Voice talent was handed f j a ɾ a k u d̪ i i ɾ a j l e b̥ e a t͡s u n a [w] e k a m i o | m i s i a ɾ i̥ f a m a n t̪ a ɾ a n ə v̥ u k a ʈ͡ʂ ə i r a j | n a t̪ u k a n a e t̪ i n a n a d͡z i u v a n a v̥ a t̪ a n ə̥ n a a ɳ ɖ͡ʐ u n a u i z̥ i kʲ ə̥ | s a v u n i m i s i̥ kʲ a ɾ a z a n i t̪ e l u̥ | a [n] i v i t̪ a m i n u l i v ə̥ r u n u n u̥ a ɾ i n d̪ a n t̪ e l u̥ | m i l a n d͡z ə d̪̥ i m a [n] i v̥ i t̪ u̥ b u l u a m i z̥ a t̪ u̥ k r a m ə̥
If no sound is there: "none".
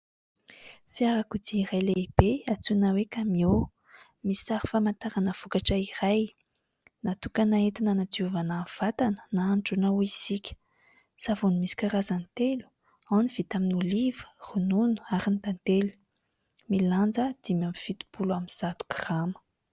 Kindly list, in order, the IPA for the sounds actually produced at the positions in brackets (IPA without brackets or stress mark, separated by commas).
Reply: w, n, m